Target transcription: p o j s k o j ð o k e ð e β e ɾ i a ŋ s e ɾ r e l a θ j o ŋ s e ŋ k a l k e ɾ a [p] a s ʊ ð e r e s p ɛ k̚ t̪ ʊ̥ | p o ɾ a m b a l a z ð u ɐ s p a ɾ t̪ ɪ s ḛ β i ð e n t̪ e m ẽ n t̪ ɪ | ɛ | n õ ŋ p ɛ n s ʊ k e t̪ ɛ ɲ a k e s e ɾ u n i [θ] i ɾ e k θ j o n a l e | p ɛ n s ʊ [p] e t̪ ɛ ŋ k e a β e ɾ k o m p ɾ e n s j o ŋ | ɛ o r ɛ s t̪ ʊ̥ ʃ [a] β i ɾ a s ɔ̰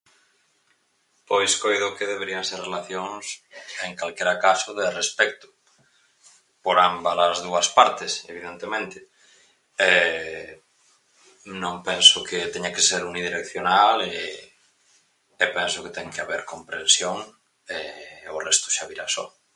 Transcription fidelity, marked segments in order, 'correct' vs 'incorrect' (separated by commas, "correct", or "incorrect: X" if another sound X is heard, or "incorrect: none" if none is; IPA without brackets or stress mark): incorrect: k, incorrect: ð, incorrect: k, correct